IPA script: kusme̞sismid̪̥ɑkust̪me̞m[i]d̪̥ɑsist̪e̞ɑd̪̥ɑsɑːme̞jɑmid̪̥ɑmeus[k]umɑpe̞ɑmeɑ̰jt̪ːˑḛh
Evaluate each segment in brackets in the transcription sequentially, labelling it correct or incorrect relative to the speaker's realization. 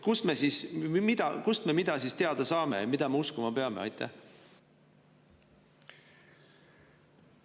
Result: correct, correct

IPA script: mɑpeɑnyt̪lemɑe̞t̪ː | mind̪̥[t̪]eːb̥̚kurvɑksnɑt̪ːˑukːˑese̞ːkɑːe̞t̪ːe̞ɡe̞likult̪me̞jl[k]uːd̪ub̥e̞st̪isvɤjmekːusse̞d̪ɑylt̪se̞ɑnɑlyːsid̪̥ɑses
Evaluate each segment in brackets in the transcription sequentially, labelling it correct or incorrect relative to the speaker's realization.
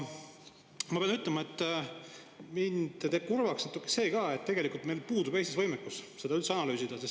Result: correct, incorrect: p

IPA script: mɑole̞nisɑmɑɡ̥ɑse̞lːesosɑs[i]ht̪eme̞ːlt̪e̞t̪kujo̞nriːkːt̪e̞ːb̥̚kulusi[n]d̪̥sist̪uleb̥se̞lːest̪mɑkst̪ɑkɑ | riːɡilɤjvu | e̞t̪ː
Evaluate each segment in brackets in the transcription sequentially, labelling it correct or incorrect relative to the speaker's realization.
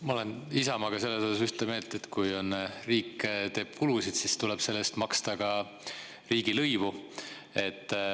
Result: incorrect: y, incorrect: none

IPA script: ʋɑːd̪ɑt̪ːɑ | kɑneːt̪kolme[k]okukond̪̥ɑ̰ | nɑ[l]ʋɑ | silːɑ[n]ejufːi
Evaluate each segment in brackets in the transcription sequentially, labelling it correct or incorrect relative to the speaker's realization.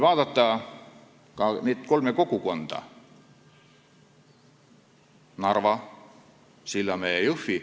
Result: correct, incorrect: r, incorrect: m

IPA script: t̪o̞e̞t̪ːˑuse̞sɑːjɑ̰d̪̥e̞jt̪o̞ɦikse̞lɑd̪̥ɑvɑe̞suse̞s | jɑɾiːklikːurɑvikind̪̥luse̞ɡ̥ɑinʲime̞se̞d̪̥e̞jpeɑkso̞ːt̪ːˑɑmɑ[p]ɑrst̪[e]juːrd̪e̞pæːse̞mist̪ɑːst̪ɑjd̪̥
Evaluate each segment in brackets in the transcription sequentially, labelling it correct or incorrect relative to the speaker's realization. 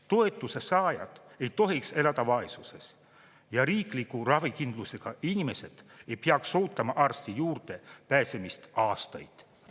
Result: incorrect: ʔ, incorrect: i

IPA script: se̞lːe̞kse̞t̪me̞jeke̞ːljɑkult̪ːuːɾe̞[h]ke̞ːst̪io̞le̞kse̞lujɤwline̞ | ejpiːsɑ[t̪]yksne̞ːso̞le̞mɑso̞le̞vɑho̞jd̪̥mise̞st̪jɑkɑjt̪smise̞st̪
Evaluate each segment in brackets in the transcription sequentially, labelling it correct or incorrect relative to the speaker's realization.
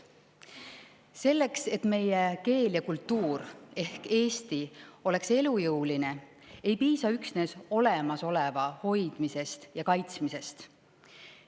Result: correct, incorrect: none

